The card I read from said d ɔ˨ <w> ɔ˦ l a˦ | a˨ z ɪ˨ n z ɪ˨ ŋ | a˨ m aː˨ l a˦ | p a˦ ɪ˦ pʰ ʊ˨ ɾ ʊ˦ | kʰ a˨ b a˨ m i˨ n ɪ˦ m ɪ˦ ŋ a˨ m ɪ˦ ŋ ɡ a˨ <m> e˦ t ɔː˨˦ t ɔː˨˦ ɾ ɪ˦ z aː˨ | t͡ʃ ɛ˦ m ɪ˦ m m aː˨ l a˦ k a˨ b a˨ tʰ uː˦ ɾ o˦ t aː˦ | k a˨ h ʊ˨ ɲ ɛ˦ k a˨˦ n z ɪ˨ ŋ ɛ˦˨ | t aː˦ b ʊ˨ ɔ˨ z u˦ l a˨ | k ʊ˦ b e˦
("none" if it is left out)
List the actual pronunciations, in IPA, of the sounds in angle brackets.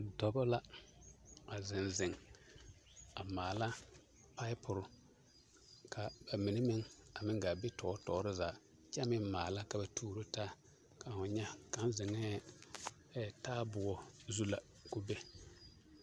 b, b

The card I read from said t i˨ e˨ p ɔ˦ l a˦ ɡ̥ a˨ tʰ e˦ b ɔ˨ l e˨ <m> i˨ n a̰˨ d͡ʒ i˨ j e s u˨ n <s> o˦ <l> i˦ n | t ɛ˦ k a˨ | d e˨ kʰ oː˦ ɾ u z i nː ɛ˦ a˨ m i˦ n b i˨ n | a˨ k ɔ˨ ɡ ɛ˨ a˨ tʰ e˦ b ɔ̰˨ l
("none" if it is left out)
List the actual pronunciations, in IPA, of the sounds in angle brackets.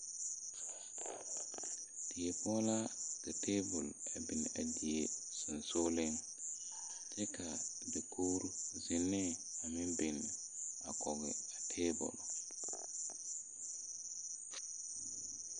b, s, l

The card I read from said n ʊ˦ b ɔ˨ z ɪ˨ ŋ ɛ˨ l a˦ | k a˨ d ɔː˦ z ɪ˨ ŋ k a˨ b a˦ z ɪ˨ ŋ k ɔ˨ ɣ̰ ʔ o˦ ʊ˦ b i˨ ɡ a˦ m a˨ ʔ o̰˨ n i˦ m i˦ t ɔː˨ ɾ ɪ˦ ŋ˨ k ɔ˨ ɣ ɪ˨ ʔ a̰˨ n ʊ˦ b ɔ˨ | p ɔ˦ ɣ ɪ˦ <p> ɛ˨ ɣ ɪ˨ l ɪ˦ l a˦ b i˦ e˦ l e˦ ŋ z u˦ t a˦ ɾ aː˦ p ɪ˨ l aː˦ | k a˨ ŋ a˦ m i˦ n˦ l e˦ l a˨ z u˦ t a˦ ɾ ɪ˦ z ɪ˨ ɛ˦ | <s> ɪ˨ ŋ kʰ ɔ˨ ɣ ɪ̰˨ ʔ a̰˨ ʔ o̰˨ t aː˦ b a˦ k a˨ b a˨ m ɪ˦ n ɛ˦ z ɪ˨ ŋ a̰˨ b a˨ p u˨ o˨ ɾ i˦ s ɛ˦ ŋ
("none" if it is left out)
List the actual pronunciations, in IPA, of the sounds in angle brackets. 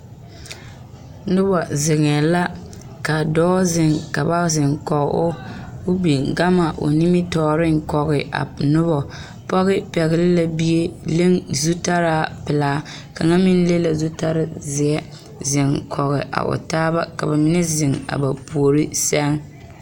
p, z

